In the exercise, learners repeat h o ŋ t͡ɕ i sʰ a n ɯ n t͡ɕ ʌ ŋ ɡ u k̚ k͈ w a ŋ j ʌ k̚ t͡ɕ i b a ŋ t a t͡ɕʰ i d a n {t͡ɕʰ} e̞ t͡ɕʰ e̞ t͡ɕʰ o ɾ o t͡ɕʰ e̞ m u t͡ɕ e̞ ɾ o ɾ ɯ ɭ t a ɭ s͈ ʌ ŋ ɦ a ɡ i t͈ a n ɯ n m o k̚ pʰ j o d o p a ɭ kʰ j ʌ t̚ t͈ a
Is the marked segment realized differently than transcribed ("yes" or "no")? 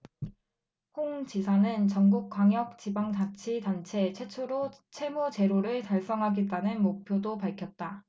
no